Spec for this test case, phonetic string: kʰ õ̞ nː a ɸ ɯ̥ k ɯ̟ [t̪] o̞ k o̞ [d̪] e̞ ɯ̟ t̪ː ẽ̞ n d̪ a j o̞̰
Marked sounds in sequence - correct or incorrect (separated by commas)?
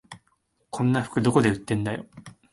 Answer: incorrect, correct